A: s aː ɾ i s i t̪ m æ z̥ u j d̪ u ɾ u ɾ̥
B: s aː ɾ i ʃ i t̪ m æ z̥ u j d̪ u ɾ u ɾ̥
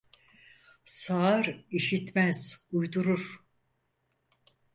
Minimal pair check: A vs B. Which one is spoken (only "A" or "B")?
B